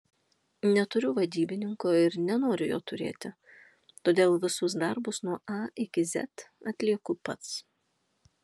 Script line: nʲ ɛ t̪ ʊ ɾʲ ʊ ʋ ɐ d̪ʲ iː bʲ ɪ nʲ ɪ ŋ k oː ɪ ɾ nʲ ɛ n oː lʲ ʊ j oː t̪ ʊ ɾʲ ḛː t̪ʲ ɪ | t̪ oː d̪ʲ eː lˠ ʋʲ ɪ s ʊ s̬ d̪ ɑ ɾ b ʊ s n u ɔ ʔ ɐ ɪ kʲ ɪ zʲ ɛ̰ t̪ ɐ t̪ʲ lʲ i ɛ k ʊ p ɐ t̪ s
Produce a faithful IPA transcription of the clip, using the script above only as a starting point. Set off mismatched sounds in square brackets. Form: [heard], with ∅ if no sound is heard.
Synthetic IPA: nʲ ɛ t̪ ʊ ɾʲ ʊ ʋ ɐ d̪ʲ iː bʲ ɪ nʲ ɪ ŋ k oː ɪ ɾ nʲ ɛ n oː [ɾʲ] ʊ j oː t̪ ʊ ɾʲ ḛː t̪ʲ ɪ | t̪ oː d̪ʲ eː lˠ ʋʲ ɪ s ʊ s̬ d̪ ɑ ɾ b ʊ s n u ɔ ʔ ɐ ɪ kʲ ɪ zʲ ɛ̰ t̪ ɐ t̪ʲ lʲ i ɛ k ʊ p ɐ t̪ s

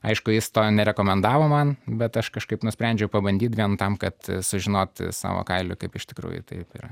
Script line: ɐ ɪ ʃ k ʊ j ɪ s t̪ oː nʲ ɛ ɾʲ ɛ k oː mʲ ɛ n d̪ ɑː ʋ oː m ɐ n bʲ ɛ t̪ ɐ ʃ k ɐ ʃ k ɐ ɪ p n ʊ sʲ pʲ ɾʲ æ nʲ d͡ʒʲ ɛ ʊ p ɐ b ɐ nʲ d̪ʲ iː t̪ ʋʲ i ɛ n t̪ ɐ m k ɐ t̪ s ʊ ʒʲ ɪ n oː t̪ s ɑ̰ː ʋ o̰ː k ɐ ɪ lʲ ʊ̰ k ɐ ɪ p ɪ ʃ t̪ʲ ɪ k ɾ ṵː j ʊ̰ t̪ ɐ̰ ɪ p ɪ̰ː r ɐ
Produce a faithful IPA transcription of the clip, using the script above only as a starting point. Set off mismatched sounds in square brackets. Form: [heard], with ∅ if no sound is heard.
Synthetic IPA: ɐ ɪ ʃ k ʊ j ɪ s t̪ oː nʲ ɛ ɾʲ ɛ k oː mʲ ɛ n d̪ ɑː ʋ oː m ɐ n bʲ ɛ t̪ ɐ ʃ k ɐ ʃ k ɐ ɪ p n ʊ sʲ pʲ ɾʲ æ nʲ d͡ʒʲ ɛ ʊ p ɐ b ɐ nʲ d̪ʲ iː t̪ ʋʲ i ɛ n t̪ ɐ m k ɐ t̪ s ʊ ʒʲ ɪ n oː t̪ s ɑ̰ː ʋ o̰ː k ɐ ɪ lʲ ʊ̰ k ɐ ɪ p ɪ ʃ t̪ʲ ɪ k ɾ ṵː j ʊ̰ t̪ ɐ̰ ɪ p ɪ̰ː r ɐ

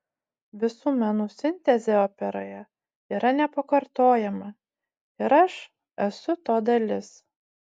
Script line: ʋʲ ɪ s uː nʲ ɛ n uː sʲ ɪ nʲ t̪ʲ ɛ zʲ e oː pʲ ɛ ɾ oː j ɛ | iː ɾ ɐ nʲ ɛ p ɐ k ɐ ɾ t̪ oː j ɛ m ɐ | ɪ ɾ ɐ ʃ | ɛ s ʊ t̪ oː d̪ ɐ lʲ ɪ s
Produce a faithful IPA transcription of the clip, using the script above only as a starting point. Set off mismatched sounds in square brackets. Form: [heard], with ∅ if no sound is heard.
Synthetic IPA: ʋʲ ɪ s uː [mʲ] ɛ n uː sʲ ɪ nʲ t̪ʲ ɛ zʲ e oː pʲ ɛ ɾ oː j ɛ | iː ɾ ɐ nʲ ɛ p ɐ k ɐ ɾ t̪ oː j ɛ m ɐ | ɪ ɾ ɐ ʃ | ɛ s ʊ t̪ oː d̪ ɐ lʲ ɪ s

